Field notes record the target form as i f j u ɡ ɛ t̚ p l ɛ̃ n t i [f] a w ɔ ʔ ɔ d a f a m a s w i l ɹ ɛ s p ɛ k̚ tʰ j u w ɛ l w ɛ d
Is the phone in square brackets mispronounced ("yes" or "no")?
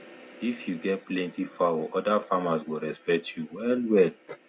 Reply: no